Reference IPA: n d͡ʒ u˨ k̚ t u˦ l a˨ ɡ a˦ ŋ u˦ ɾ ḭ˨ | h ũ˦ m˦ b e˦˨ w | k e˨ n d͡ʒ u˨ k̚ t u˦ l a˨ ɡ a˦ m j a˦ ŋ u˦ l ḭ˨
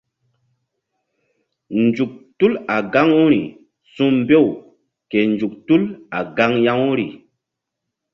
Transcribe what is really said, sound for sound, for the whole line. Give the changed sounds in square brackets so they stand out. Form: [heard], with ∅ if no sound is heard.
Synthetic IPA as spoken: n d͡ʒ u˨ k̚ t u˦ l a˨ ɡ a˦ ŋ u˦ ɾ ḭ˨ | [s] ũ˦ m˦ b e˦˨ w | k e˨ n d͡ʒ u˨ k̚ t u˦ l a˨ ɡ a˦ [ŋ] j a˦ ŋ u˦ [ɾ] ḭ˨

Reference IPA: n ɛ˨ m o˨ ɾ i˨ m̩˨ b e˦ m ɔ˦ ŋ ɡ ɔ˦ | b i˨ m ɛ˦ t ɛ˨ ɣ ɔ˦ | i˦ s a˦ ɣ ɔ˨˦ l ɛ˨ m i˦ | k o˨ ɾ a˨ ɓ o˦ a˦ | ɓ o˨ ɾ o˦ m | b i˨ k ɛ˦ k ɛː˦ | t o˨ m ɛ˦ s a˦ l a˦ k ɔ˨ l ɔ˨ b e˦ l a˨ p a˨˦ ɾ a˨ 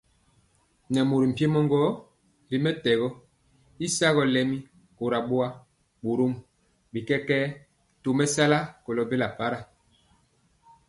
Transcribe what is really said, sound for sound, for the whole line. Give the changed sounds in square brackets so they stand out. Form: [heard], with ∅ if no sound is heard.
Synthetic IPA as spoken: n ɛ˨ m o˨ ɾ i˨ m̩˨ [p] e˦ m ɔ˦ ŋ ɡ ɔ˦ | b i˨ m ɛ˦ t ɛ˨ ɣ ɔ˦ | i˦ s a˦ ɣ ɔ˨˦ l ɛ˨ m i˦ | k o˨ ɾ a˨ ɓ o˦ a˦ | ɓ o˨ ɾ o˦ m | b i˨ k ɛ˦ k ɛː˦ | t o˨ m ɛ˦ s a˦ l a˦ k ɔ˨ l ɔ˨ b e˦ l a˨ p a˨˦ ɾ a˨

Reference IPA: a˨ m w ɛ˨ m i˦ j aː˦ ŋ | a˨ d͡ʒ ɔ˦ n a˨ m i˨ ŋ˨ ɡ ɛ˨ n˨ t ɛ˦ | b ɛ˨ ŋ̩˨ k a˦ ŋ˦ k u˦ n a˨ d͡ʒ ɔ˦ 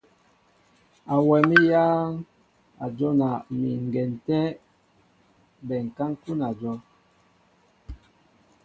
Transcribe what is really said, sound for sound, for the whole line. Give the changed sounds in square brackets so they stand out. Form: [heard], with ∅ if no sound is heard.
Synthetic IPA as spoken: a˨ [∅] w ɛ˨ m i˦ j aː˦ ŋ | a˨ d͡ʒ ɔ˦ n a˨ m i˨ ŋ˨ ɡ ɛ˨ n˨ t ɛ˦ | b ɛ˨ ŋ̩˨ k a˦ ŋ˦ k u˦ n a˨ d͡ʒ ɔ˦

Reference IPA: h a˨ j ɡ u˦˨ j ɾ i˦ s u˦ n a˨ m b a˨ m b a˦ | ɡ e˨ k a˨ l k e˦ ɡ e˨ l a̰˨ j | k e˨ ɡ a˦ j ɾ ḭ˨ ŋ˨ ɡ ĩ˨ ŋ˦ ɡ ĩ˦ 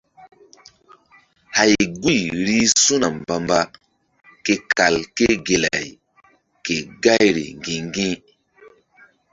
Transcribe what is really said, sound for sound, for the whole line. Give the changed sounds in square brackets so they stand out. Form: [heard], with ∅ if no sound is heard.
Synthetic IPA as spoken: h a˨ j ɡ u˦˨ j ɾ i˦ s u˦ n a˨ m b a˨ m b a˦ | [k] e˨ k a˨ l k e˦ ɡ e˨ l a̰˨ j | k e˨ ɡ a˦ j ɾ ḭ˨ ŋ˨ ɡ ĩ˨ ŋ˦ ɡ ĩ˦

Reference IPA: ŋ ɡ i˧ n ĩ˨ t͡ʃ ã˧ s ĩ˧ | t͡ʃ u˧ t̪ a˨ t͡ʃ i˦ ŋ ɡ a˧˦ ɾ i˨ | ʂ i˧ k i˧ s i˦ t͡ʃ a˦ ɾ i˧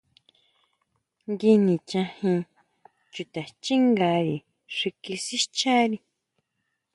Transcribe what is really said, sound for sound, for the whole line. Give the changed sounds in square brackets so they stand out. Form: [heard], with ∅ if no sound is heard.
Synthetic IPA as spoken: ŋ ɡ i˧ n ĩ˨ t͡ʃ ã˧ [h] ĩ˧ | t͡ʃ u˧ t̪ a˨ t͡ʃ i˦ ŋ ɡ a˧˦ ɾ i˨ | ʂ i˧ k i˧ s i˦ t͡ʃ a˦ ɾ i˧

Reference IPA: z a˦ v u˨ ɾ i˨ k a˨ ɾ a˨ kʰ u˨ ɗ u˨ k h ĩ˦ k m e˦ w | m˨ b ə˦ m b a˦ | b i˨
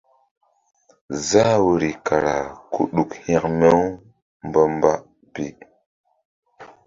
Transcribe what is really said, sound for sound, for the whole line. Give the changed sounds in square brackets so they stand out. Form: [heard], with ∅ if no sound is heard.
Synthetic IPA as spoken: z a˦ [w] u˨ ɾ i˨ k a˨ ɾ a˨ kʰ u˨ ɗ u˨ k h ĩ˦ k m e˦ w | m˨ b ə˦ m b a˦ | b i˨

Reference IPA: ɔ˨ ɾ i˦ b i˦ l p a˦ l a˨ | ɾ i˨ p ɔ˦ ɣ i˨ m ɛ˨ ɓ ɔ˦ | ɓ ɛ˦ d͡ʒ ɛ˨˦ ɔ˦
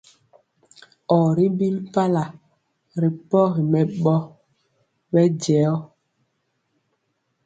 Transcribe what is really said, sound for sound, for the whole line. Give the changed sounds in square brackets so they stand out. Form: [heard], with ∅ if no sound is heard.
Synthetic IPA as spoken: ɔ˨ ɾ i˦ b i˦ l p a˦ l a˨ | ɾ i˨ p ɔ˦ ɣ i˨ m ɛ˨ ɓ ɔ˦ | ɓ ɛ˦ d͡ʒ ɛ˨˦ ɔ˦

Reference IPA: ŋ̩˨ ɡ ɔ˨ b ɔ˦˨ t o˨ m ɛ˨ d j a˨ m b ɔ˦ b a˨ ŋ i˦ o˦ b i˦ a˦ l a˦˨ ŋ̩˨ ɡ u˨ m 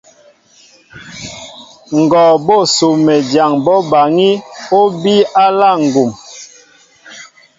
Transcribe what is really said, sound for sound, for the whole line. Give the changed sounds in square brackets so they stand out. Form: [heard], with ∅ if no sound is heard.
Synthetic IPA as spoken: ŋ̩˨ ɡ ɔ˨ b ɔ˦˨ [s] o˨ m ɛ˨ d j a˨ [ŋ] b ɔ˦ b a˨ ŋ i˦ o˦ b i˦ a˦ l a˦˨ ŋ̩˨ ɡ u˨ m

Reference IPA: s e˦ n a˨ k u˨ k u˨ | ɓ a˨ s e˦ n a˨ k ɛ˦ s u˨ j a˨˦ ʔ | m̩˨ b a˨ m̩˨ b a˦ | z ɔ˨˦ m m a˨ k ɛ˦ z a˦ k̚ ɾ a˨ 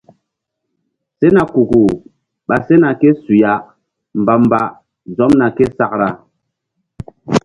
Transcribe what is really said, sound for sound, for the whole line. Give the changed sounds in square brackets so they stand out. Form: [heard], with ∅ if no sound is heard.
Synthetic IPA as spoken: s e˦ n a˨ k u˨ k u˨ | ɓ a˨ s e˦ n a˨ k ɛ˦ s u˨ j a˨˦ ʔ | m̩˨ b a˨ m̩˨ b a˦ | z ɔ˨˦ m [n] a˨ k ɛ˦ [s] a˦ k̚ ɾ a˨

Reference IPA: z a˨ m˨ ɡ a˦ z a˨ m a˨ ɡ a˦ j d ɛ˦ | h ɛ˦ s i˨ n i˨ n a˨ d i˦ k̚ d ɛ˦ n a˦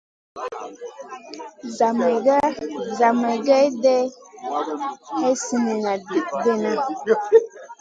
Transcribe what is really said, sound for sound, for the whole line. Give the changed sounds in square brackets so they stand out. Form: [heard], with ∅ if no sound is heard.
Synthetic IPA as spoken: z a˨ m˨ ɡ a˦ z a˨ m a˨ ɡ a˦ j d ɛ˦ | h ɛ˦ s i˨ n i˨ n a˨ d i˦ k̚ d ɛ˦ n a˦

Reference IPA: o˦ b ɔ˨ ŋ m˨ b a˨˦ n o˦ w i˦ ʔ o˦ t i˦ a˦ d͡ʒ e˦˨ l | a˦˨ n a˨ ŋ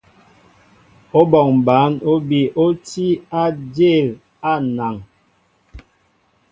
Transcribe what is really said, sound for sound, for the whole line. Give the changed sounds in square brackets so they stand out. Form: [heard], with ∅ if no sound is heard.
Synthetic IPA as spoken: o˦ b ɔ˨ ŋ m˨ b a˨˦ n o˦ [b] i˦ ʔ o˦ t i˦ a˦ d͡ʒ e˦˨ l | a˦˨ n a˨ ŋ

